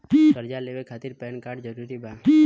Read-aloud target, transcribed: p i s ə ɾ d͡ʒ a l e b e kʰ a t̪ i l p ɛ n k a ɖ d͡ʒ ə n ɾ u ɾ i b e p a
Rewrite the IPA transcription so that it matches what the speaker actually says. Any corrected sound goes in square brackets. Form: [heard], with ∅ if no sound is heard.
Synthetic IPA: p i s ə ɾ d͡ʒ a l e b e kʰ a t̪ i [ɾ] p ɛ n k a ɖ d͡ʒ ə [∅] ɾ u ɾ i b [a] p [i]